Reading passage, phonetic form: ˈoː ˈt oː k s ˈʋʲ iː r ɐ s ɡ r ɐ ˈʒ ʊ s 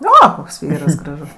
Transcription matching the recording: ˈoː ˈk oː k s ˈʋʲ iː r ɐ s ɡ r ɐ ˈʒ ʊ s